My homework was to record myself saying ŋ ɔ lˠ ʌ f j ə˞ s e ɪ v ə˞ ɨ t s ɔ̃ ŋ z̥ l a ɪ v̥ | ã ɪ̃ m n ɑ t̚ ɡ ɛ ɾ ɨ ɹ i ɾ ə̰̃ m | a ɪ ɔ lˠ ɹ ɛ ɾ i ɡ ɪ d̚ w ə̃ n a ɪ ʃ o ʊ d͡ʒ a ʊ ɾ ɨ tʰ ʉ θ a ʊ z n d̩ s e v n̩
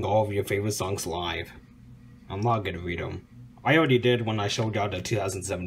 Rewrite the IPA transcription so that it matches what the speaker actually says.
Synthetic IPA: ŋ ɔ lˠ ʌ v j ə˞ f e ɪ v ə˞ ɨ t s ɔ̃ ŋ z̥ l a ɪ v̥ | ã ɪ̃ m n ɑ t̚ ɡ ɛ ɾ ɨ ɹ i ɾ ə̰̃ m | a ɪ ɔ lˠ ɹ ɛ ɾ i d ɪ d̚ w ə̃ n a ɪ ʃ o ʊ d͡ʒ a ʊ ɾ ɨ tʰ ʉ θ a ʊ z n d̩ s ɛ v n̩